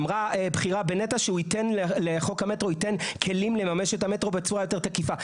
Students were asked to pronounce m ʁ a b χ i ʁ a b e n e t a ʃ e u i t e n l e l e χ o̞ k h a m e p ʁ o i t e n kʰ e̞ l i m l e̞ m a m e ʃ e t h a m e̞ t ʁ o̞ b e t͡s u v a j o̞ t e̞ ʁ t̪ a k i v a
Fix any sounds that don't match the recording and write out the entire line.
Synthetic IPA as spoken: m ʁ a b χ i ʁ a b e n e t a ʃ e u i t e n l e l e χ o̞ k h a m e t ʁ o i t e n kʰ e̞ l i m l e̞ m a m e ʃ e t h a m e̞ t ʁ o̞ b e t͡s u ʁ a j o̞ t e̞ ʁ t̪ a k i f a